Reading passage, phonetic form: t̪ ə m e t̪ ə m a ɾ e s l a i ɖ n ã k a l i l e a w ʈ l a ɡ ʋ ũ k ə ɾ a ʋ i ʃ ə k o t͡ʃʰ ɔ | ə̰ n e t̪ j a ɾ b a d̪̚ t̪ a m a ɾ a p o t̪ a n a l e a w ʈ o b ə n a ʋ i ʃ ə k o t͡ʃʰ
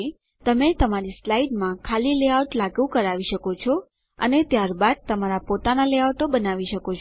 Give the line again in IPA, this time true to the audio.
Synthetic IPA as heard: t̪ ə m e t̪ ə m a ɾ i s l a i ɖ m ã kʰ a l i l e a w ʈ l a ɡ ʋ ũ k ə ɾ a ʋ i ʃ ə k o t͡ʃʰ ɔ | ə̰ n e t̪ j a ɾ b a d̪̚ t̪ ə m a ɾ a p o t̪ a n a l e a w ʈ o b ə n a ʋ i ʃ ə k o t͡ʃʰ